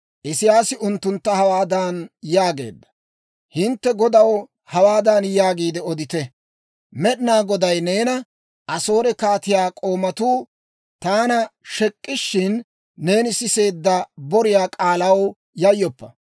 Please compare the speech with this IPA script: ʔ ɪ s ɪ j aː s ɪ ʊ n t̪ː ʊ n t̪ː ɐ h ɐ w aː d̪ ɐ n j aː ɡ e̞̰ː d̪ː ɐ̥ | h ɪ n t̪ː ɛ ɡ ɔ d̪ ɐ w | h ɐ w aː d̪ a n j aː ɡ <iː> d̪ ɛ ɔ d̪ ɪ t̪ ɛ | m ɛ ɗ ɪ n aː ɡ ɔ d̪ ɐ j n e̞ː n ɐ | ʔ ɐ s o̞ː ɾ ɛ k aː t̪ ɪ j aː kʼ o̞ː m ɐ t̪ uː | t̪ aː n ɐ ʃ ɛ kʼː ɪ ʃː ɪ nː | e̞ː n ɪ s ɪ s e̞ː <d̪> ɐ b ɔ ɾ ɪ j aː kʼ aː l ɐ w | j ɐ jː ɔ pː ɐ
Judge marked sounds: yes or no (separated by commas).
yes, no